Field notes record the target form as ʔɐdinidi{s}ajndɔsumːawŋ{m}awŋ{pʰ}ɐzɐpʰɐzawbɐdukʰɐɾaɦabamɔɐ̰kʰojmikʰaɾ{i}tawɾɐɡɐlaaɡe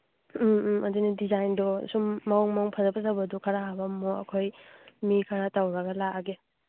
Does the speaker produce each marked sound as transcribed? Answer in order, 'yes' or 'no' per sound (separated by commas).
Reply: no, yes, yes, no